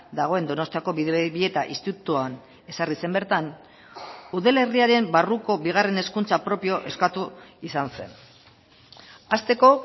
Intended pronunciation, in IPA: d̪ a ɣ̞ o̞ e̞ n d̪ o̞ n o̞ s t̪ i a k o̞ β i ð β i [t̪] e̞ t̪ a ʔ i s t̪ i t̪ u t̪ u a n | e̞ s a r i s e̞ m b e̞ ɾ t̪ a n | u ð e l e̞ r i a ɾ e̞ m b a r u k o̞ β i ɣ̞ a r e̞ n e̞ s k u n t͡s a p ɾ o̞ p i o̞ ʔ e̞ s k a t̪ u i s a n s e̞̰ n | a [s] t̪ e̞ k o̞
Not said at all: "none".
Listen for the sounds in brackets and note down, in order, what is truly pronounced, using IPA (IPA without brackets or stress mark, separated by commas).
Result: none, s